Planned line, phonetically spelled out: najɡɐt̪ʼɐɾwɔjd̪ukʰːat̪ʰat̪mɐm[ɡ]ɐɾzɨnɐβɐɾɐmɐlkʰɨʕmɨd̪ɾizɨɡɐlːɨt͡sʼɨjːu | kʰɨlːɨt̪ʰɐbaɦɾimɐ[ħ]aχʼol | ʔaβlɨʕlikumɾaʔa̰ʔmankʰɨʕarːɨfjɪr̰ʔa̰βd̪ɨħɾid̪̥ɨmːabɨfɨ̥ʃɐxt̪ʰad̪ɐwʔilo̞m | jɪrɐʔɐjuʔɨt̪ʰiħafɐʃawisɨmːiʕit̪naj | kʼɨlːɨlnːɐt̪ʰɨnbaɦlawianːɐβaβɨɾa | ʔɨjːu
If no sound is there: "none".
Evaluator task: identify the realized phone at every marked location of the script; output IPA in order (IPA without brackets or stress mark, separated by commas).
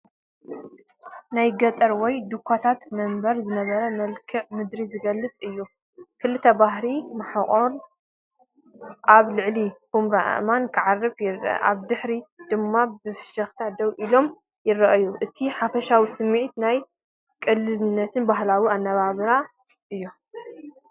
b, ħ